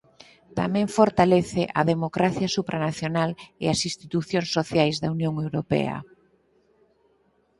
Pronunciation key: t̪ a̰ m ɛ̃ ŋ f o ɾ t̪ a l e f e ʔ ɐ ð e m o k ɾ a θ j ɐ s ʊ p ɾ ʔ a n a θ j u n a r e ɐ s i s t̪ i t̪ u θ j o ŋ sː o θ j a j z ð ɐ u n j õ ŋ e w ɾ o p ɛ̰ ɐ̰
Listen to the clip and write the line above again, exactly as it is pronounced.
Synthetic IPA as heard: t̪ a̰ m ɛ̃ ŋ f o ɾ t̪ a l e θ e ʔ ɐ ð e m o k ɾ a θ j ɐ s u p ɾ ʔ a n a θ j o n a l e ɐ s i s t̪ i t̪ u θ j o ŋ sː o θ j a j z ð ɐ u n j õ ŋ e w ɾ o p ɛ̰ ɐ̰